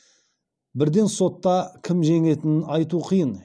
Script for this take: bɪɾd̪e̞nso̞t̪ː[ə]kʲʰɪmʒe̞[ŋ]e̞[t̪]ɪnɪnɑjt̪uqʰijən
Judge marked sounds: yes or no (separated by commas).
no, yes, yes